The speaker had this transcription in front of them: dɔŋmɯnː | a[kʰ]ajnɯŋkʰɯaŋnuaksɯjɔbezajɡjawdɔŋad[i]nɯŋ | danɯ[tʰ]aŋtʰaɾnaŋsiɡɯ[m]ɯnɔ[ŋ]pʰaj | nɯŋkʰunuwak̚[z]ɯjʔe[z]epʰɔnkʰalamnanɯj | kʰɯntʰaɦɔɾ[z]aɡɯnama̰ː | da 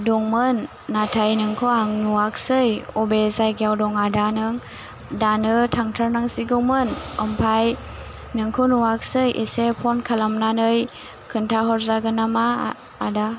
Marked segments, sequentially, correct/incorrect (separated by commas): incorrect, incorrect, correct, correct, incorrect, incorrect, incorrect, correct